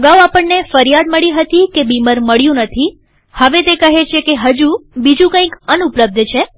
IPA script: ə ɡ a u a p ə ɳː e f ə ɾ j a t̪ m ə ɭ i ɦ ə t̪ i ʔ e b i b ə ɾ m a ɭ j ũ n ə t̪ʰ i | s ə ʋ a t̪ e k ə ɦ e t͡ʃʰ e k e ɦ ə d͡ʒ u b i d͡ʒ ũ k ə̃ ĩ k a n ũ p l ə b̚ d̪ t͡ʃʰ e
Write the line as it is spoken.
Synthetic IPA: ə ɡ a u a p ə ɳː e f ə ɾ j a d̪ m ə ɭ i ɦ ə t̪ i k e b i m ə ɾ m ə ɭ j ũ n ə t̪ʰ i | h ə ʋ e t̪ e k ə ɦ e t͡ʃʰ e k e ɦ ə d͡ʒ u b i d͡ʒ ũ k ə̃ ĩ k ə n u p l ə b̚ d̪ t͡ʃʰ e